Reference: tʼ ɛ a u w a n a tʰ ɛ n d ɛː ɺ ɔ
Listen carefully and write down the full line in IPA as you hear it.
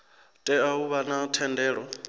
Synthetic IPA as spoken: tʼ ɛ a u β a n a tʰ ɛ n d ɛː ɺ ɔ

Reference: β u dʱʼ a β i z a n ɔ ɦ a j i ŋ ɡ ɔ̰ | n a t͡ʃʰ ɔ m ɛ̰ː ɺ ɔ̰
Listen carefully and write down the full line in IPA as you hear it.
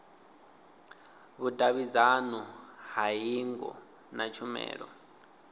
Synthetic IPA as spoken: β u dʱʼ a β i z a n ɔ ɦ a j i ŋ ɡ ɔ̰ | n a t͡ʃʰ u m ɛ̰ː ɺ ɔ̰

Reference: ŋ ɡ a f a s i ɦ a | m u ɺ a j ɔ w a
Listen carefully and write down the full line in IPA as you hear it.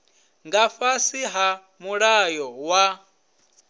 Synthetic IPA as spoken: ŋ ɡ a f a s i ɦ a | m u ɺ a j ɔ w a

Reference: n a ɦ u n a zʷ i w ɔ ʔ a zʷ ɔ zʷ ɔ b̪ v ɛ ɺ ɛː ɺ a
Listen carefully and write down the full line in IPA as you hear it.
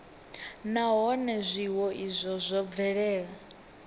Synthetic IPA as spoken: n a ɦ ɔ n ɛ zʷ i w ɔ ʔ i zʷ ɔ zʷ ɔ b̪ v ɛ ɺ ɛː ɺ a

